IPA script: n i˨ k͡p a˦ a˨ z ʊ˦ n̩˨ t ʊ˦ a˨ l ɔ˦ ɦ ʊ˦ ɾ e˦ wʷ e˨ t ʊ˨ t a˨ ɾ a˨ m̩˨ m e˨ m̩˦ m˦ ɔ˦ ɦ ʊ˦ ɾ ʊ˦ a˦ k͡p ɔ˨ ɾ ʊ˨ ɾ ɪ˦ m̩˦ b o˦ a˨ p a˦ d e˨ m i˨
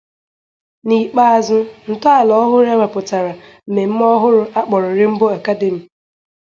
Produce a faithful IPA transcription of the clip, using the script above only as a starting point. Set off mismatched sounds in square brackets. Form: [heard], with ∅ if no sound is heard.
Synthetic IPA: n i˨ k͡p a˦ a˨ z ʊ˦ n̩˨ t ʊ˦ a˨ l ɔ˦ ɦ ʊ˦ ɾ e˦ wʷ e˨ [p] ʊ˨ t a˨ ɾ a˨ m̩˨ m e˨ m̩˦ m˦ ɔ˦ ɦ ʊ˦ ɾ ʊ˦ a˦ k͡p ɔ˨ ɾ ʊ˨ ɾ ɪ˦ m̩˦ b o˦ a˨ [k] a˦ d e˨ m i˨